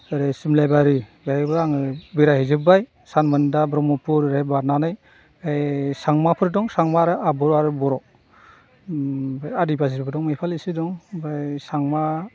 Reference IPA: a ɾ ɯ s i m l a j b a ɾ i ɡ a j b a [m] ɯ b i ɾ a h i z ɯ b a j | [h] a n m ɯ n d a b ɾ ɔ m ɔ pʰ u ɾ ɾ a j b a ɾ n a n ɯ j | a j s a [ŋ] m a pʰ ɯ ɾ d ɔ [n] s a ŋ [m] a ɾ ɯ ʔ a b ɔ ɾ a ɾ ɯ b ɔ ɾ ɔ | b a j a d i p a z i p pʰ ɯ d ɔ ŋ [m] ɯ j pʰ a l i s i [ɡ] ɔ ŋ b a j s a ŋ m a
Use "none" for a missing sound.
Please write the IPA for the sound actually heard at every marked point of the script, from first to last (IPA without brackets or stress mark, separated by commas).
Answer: ŋ, s, ŋ, ŋ, m, m, d